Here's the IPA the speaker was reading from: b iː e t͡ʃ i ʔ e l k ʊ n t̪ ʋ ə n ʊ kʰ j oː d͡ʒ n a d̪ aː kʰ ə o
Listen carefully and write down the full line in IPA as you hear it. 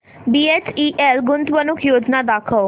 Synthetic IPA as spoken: b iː e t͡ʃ i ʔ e l ɡ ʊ n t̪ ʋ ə n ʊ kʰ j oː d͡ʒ n a d̪ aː kʰ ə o